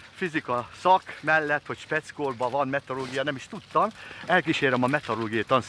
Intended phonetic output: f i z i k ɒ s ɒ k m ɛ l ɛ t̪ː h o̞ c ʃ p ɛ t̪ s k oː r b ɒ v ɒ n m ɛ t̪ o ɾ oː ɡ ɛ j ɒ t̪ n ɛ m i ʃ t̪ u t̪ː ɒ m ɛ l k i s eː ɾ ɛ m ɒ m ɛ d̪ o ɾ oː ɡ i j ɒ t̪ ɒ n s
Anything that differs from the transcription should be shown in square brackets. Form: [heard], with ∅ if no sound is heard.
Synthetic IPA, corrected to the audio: f i z i k ɒ s ɒ k m ɛ [lː] ɛ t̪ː h o̞ c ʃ p ɛ t̪ s k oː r b ɒ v ɒ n m ɛ t̪ o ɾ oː ɡ [i] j ɒ [∅] n ɛ m i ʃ t̪ u t̪ː ɒ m ɛ l k i [ʃ] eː ɾ ɛ m ɒ m ɛ [t̪] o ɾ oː ɡ i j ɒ t̪ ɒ n s